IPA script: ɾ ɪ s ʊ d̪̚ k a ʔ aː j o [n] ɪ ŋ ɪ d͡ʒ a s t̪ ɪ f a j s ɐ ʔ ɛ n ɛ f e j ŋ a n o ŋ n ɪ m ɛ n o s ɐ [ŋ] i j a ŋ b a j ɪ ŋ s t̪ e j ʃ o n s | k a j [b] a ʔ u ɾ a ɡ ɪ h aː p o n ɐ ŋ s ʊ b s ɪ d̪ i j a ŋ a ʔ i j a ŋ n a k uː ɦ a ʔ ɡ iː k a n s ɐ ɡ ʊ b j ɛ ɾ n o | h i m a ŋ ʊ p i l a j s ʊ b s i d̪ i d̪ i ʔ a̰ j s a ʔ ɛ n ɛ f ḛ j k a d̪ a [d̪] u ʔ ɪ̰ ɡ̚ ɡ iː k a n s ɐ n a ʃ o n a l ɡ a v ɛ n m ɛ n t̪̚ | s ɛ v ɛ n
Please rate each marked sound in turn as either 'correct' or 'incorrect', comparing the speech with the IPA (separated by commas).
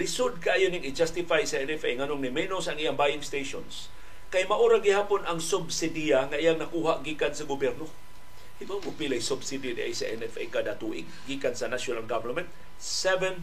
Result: correct, correct, incorrect, incorrect